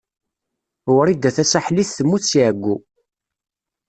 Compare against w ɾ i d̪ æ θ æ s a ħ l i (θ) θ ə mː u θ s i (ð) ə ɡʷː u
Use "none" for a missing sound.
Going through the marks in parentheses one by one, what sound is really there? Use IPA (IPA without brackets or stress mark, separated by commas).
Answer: θ, ʕ